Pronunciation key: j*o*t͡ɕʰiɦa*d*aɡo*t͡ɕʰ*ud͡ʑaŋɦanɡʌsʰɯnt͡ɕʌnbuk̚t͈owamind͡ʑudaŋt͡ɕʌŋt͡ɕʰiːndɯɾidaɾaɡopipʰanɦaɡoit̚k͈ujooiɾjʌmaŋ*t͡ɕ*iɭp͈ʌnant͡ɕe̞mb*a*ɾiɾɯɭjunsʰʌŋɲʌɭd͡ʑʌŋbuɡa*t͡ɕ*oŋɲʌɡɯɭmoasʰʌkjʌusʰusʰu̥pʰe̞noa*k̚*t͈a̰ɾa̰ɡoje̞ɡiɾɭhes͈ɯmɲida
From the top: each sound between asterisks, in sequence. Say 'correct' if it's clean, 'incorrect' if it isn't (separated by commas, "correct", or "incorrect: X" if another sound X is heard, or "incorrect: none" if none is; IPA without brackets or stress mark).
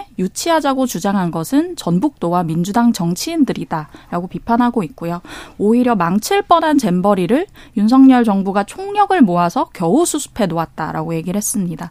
incorrect: u, incorrect: d͡ʑ, incorrect: t͡ɕ, incorrect: t͡ɕʰ, incorrect: ʌ, incorrect: t͡ɕʰ, incorrect: t̚